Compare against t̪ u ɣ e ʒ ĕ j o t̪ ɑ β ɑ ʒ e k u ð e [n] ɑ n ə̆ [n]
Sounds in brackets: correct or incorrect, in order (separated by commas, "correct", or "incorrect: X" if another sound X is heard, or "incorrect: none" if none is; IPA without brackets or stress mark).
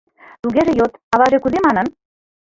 incorrect: m, correct